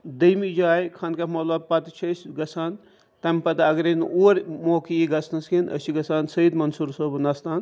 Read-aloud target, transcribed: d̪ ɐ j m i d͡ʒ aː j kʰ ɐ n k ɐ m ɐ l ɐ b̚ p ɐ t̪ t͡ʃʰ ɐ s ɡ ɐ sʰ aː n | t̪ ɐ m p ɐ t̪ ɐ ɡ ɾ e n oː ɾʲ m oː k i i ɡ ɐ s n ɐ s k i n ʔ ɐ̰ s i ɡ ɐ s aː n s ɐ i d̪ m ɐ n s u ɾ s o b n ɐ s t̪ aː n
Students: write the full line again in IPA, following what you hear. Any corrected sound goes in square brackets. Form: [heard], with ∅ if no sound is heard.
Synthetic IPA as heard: d̪ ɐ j m i d͡ʒ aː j kʰ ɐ n k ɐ m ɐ l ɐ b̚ p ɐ t̪ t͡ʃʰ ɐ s ɡ ɐ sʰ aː n | t̪ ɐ m p ɐ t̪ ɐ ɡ ɾ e n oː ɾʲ m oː k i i ɡ ɐ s n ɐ s k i n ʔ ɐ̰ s i ɡ ɐ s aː n s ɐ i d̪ m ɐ n s u ɾ s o b n ɐ s t̪ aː n